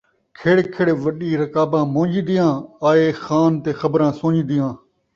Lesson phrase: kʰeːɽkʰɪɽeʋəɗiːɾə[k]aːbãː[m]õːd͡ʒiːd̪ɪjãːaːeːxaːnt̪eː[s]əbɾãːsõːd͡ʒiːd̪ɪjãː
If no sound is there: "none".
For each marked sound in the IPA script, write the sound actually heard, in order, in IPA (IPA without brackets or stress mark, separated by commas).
k, m, x